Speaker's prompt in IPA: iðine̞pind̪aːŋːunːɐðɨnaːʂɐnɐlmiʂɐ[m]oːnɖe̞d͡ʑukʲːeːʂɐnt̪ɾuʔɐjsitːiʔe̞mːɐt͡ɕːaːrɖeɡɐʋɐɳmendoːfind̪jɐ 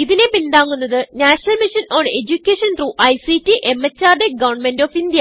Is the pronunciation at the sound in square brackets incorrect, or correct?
incorrect